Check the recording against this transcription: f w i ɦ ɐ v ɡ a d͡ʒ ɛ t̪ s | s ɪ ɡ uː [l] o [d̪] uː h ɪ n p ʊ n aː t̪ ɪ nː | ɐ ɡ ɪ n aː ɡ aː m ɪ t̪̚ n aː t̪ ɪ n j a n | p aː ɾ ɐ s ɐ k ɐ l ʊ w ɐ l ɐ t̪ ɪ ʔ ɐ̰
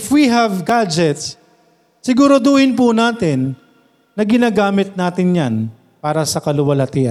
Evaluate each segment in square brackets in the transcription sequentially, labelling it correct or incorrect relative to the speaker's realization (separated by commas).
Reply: incorrect, correct